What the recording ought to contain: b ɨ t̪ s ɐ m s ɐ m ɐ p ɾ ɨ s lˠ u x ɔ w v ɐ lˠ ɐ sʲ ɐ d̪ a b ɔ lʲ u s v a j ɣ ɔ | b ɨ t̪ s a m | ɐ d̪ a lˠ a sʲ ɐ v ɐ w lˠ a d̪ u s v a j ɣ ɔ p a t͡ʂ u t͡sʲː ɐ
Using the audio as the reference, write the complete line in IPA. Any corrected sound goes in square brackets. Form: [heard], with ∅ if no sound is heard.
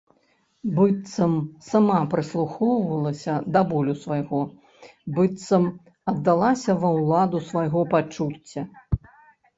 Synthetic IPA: b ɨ t̪ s ɐ m s [a] m [a] p ɾ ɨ s lˠ u x ɔ w v ɐ lˠ ɐ sʲ ɐ d̪ a b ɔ lʲ u s v a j ɣ ɔ | b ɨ t̪ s [ɐ] m | ɐ [d̪ː] a lˠ a sʲ ɐ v ɐ w lˠ a d̪ u s v a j ɣ ɔ p a t͡ʂ u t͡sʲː ɐ